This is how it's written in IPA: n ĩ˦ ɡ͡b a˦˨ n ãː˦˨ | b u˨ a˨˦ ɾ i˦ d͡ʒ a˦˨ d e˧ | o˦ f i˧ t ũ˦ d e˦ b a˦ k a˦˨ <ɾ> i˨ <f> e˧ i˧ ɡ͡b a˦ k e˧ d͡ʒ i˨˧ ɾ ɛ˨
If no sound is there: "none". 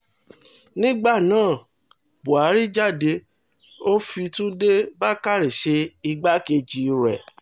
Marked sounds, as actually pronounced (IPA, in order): ɾ, ʃ

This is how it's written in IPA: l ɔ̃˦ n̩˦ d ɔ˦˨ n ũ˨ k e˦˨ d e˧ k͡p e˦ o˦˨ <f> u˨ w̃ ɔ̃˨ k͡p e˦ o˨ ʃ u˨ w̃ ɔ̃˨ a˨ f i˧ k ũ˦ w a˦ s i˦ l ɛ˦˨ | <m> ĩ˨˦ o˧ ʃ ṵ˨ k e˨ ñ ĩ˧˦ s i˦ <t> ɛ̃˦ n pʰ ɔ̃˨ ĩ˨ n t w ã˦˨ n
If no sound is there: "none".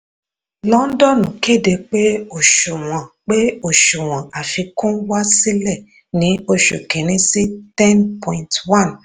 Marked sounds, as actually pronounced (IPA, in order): ʃ, n, t

